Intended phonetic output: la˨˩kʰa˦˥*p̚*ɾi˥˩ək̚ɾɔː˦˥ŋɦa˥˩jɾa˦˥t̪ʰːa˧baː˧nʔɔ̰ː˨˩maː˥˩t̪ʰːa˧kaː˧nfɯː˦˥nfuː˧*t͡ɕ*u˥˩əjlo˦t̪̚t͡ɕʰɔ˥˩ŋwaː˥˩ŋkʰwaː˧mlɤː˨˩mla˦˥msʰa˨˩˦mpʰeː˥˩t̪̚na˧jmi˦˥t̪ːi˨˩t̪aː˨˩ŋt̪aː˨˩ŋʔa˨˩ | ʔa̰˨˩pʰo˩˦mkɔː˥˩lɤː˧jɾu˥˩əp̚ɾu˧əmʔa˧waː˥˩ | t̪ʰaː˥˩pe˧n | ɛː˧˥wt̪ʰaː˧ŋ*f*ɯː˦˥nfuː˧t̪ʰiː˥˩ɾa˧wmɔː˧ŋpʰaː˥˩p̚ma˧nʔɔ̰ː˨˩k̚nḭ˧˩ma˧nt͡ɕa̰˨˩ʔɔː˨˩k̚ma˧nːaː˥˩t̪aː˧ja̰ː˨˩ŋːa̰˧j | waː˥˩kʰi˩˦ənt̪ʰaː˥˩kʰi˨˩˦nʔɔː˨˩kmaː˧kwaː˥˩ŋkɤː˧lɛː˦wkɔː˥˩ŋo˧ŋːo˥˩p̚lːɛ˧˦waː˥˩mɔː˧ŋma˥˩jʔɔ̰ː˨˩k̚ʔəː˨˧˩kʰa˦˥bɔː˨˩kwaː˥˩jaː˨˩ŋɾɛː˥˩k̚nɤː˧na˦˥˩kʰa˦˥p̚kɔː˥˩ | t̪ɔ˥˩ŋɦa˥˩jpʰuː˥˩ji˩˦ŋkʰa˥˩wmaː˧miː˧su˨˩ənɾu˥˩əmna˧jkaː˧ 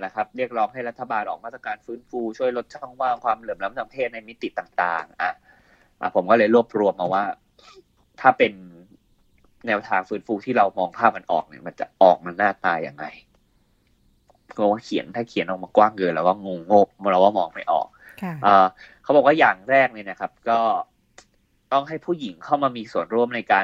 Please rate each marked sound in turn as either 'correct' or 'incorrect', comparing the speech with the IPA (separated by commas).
correct, incorrect, correct